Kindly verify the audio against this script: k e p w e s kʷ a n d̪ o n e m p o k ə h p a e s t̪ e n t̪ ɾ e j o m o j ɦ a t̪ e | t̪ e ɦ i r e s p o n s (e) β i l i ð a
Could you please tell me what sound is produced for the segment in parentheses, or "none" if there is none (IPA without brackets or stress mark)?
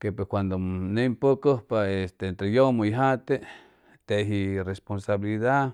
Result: a